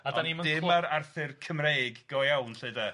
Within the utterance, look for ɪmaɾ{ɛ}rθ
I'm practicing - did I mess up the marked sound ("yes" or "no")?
yes